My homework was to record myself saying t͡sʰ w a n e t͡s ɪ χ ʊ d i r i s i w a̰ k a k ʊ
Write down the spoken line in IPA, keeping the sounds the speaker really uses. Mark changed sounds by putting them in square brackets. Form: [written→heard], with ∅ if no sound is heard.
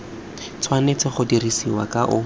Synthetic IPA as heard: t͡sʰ w a n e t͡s ɪ χ ʊ d i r i s i w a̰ k a [k→ʔ] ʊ